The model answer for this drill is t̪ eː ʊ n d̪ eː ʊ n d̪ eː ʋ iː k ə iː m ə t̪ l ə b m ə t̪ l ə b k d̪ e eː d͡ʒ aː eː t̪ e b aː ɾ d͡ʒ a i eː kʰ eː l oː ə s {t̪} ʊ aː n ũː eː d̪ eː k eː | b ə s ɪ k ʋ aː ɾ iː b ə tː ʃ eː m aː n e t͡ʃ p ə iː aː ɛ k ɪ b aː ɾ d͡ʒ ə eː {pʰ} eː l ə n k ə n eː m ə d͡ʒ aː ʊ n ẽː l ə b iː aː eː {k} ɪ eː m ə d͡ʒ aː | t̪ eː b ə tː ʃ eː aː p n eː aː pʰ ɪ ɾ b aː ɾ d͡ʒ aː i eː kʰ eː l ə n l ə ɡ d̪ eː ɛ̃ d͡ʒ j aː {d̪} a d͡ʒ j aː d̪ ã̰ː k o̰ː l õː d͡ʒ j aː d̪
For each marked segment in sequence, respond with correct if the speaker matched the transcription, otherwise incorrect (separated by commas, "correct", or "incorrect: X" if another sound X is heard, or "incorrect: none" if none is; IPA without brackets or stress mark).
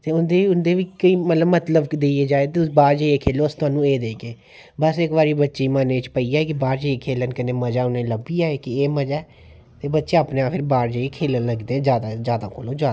correct, incorrect: kʰ, correct, correct